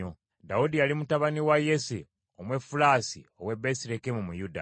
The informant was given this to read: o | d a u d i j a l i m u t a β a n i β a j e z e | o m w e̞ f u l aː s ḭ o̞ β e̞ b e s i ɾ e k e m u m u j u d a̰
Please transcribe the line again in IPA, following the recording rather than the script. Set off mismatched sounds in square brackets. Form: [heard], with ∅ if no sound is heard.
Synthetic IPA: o | d a u d i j a l i m u t a β a n i [w] a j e [s] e | o m w e̞ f u l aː s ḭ o̞ [w] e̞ b e s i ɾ e k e m u m u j u d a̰